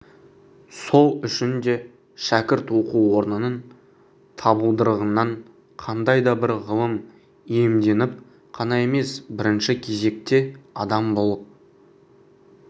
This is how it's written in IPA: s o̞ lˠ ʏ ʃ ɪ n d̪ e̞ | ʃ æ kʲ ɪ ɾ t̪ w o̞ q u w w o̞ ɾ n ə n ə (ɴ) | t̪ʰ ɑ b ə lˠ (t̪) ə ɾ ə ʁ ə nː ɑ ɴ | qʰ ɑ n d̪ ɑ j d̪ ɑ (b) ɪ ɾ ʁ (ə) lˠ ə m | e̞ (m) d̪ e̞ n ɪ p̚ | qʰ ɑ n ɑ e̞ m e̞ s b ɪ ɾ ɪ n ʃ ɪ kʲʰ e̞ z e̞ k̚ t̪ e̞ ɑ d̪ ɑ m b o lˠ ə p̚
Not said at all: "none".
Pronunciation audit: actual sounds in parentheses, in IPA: n, d̪, b, ə, m

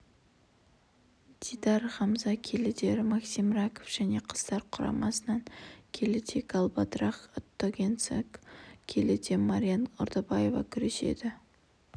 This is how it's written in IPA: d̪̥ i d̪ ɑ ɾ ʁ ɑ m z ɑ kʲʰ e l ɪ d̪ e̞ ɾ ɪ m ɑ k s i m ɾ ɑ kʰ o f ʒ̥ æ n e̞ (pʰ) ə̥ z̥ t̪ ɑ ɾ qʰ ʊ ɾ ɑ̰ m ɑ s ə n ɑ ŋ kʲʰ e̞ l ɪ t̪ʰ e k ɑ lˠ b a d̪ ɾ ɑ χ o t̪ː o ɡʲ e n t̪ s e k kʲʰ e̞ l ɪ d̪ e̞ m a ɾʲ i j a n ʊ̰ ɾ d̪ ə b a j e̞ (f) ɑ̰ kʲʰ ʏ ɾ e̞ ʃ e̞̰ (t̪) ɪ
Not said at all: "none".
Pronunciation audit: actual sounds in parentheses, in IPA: qʰ, v, d̪

